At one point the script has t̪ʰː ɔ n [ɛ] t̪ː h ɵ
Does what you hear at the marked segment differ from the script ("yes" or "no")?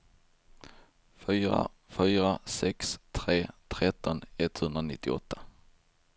no